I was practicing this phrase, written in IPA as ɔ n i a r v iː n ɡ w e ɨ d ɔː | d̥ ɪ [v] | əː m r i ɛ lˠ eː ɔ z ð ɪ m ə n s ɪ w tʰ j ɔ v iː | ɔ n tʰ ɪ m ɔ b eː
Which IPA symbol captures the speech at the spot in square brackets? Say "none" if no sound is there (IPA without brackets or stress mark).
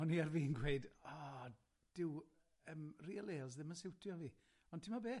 w